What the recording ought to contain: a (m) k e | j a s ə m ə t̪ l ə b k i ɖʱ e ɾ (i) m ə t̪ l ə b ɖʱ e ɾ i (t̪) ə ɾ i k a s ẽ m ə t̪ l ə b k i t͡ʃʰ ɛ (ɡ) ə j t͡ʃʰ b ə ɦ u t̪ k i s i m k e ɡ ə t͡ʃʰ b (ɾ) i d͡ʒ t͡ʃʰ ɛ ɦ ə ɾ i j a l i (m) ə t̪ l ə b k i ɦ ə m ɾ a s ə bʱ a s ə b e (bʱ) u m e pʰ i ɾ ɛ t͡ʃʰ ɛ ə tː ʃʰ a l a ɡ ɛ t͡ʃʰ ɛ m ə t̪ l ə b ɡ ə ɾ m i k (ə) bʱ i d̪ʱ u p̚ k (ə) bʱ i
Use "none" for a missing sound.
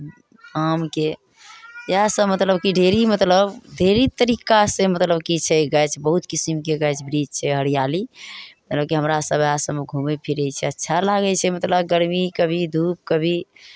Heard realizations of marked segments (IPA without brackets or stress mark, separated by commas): m, i, t̪, ɡ, ɾ, m, ɡʱ, ə, ə